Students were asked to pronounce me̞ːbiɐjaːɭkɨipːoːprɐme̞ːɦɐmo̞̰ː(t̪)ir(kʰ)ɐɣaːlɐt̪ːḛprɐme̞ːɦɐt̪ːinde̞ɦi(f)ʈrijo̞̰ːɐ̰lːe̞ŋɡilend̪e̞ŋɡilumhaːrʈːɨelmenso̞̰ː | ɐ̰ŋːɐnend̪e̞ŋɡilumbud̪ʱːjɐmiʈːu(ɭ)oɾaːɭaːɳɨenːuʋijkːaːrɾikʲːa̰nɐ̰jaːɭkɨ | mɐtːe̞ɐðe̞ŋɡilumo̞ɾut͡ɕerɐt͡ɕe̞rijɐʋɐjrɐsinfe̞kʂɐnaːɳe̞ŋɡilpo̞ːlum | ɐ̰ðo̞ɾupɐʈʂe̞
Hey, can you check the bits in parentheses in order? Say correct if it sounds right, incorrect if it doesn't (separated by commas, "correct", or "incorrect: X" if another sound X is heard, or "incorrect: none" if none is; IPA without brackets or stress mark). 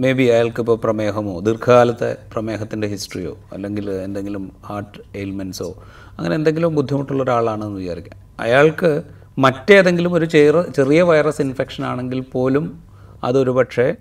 incorrect: d̪, correct, incorrect: s, incorrect: ɭː